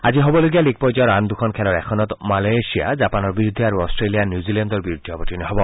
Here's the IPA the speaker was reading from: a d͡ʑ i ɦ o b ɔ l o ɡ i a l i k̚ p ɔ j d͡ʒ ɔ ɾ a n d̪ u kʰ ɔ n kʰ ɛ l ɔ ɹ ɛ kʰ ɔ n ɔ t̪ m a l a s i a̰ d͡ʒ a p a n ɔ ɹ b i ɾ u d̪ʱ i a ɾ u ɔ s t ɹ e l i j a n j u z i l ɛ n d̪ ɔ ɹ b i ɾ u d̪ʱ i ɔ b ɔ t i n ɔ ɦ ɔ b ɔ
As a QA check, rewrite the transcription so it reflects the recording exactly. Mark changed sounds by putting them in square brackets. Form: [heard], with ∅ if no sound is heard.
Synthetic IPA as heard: a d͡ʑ i ɦ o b ɔ l o ɡ i a l i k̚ p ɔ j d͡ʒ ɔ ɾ a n d̪ u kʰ ɔ n kʰ ɛ l ɔ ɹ ɛ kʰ ɔ n ɔ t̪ m a l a s i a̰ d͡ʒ a p a n ɔ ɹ b i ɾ u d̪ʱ i a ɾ u ɔ s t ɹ e l i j a n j u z i l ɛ n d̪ ɔ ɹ b i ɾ u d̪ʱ i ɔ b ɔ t i n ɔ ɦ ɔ b ɔ